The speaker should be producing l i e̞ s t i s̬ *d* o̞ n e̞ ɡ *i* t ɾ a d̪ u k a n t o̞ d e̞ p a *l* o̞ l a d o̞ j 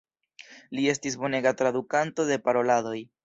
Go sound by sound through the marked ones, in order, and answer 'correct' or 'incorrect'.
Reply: incorrect: b, incorrect: a, incorrect: ɾ

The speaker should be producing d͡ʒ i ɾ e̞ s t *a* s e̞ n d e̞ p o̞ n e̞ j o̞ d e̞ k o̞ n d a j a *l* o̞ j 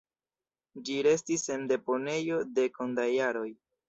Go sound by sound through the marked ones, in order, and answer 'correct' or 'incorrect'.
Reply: incorrect: i, incorrect: ɾ

